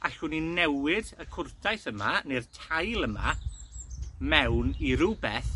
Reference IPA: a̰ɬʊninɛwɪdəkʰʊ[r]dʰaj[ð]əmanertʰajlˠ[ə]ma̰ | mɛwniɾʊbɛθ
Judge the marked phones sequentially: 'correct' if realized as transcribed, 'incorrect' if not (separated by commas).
correct, incorrect, correct